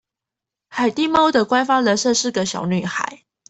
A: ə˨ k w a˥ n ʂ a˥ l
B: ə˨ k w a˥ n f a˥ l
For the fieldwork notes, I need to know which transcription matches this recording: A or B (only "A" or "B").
B